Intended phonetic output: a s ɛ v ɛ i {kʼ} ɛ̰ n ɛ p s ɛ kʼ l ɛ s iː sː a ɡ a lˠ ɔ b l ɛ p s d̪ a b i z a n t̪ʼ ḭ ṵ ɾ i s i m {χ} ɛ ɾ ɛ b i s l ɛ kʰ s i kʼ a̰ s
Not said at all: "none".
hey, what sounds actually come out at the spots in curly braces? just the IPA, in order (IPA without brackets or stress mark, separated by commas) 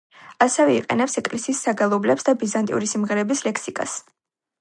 qʼ, ʁ